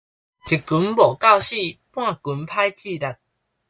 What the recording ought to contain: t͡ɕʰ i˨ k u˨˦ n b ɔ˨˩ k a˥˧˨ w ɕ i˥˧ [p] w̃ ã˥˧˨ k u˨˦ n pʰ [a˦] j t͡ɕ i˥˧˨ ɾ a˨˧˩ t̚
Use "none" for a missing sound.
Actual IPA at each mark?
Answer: p, a˦

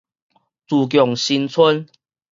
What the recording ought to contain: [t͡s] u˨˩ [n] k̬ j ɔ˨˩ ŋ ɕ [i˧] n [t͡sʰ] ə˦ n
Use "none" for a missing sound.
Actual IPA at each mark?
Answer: t͡s, none, i˧, t͡sʰ

